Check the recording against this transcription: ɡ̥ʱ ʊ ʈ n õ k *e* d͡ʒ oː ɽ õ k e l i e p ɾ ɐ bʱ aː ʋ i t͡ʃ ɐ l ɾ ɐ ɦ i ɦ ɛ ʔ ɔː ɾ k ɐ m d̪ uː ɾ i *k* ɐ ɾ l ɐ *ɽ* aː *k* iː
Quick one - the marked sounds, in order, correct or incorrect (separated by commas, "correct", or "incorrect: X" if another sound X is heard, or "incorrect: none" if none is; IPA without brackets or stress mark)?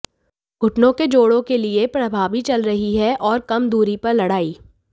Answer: correct, incorrect: p, correct, incorrect: none